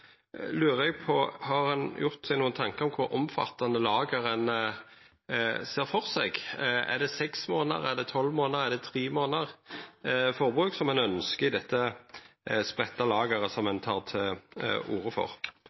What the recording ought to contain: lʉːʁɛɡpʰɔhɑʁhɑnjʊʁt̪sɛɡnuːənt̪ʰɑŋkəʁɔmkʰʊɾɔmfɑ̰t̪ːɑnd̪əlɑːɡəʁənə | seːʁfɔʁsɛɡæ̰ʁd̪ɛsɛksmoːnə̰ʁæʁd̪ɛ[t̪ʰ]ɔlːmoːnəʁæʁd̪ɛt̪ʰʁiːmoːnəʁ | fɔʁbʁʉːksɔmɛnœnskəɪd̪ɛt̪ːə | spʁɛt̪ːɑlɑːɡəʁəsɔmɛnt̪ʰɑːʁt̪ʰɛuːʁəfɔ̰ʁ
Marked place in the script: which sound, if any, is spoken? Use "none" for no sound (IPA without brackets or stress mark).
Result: t̪ʰ